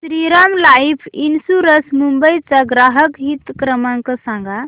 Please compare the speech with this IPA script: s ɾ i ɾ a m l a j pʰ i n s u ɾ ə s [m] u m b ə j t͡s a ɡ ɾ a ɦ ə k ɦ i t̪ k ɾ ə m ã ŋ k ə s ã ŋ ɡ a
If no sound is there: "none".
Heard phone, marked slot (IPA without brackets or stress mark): m